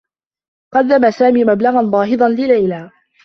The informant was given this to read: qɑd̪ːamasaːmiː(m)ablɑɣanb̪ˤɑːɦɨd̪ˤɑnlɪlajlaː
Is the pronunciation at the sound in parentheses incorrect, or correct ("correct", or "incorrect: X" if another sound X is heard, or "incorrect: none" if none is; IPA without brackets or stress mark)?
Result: correct